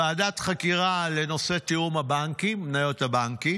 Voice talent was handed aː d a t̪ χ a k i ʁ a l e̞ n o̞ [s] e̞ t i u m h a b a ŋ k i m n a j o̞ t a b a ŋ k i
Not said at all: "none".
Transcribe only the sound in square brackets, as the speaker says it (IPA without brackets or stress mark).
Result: s